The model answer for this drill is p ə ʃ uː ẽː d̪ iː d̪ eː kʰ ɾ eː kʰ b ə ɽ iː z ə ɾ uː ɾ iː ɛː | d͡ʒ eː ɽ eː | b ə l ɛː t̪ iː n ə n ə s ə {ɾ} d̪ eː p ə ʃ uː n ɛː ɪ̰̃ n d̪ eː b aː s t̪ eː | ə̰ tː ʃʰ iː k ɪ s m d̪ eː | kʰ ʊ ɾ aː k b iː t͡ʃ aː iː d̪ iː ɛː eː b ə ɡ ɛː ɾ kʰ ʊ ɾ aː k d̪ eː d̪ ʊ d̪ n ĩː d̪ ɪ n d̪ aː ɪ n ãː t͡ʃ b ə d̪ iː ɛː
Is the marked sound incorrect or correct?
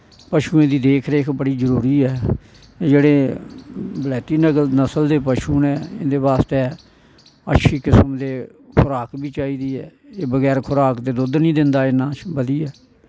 incorrect